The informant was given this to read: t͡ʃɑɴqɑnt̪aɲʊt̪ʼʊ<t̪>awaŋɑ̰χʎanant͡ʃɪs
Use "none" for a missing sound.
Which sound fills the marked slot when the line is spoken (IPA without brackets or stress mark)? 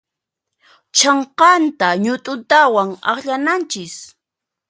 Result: t̪